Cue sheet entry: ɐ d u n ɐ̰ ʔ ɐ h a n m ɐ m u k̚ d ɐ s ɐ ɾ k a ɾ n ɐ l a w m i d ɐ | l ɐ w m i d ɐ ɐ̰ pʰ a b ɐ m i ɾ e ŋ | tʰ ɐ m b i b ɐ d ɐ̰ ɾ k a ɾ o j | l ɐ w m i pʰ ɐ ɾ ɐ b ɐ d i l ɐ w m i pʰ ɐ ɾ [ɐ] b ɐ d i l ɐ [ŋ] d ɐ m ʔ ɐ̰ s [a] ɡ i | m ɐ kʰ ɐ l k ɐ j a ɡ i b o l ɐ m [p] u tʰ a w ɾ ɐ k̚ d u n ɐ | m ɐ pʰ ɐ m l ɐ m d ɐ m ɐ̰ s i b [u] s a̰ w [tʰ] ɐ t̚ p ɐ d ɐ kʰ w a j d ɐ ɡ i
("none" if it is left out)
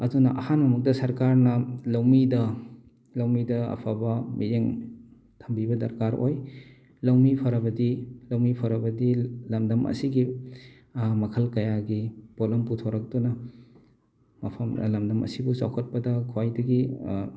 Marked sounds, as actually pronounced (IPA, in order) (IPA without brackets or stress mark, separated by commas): ɐ, m, i, p, u, kʰ